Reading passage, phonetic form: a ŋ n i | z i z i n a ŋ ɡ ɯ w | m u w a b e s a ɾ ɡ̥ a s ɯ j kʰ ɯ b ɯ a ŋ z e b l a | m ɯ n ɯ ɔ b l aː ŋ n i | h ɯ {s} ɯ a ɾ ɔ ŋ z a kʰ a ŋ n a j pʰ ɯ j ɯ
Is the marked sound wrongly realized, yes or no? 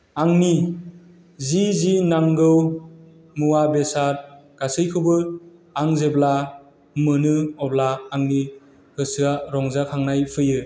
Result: no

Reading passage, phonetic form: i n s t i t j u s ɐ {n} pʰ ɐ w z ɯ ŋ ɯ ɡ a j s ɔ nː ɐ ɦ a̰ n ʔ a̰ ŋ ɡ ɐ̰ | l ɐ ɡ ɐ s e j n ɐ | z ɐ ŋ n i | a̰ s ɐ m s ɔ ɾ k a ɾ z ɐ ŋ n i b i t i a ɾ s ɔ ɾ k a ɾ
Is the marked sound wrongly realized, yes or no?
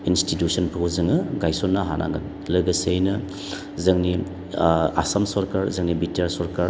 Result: no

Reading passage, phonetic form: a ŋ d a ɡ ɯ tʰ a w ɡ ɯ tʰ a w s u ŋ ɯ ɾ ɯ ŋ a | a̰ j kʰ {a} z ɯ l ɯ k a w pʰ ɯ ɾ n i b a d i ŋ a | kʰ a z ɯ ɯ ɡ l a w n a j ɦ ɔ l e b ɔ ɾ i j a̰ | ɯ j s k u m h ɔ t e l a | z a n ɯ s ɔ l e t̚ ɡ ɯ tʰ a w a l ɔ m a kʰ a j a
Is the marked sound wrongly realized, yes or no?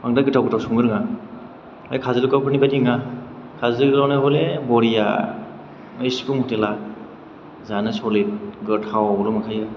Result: no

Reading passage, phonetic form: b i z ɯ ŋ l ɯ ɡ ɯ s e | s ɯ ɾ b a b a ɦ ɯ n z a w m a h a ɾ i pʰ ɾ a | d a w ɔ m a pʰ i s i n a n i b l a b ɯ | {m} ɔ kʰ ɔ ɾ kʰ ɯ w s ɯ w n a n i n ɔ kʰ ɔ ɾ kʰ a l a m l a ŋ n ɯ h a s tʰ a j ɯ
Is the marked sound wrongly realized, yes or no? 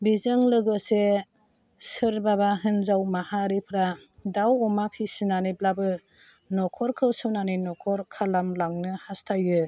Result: yes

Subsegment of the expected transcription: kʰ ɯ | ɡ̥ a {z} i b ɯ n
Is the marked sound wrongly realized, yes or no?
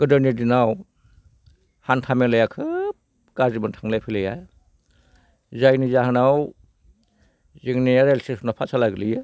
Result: no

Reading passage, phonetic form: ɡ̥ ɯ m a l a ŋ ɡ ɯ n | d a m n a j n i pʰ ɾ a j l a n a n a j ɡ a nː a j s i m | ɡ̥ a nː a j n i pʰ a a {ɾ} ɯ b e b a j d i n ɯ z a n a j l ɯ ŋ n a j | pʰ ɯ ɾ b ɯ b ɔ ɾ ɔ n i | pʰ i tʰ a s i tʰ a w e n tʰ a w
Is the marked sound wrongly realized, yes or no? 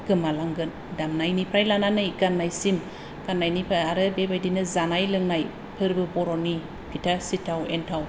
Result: no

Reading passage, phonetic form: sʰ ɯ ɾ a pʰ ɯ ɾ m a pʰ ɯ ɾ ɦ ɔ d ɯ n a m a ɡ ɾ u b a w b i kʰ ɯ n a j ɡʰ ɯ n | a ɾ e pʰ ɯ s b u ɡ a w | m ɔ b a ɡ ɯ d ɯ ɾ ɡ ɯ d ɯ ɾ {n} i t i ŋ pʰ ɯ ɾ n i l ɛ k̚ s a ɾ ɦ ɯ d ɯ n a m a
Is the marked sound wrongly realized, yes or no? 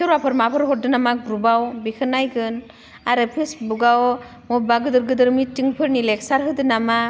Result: yes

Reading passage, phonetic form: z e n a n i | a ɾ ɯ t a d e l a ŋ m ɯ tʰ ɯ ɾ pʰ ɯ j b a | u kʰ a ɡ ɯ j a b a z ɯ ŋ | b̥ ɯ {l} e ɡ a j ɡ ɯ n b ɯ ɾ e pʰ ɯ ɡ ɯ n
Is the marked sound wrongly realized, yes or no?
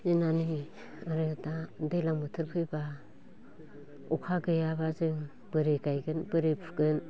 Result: yes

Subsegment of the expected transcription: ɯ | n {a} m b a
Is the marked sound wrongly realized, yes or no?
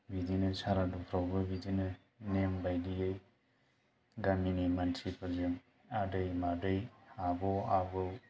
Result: yes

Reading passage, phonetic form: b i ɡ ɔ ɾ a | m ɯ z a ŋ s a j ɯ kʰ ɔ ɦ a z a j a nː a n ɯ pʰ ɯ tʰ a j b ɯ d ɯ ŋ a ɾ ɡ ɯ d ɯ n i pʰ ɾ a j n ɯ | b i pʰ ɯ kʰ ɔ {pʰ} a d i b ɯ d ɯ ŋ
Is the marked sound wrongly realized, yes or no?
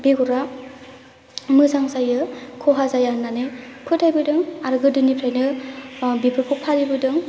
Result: no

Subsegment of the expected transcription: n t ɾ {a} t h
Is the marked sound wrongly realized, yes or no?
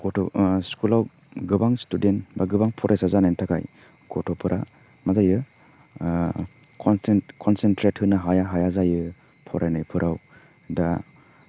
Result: yes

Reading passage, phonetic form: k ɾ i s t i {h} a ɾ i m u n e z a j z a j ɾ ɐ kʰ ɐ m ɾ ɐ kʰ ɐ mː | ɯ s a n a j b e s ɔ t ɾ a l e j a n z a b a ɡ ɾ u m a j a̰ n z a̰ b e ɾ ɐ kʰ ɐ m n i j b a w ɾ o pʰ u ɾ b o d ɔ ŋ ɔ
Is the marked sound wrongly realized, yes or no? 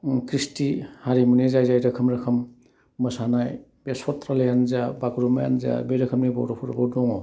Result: no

